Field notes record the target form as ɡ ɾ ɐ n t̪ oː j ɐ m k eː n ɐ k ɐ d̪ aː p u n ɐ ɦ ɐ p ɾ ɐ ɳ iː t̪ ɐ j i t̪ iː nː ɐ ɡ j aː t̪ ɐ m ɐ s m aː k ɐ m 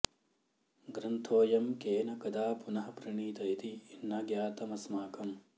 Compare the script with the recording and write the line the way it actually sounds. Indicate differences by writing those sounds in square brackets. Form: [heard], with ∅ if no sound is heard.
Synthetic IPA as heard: ɡ ɾ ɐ n [t̪ʰ] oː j ɐ m k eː n ɐ k ɐ d̪ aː p u n ɐ ɦ ɐ p ɾ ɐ ɳ iː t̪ ɐ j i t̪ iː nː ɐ ɡ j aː t̪ ɐ m ɐ s m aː k ɐ m